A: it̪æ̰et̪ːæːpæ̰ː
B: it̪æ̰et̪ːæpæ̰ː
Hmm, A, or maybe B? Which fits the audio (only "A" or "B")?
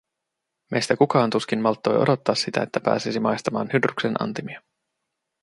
B